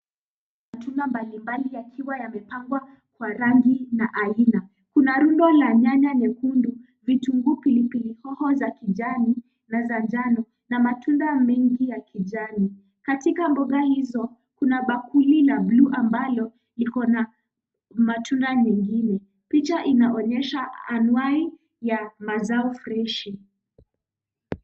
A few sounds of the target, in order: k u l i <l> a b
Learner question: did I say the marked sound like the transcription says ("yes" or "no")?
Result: yes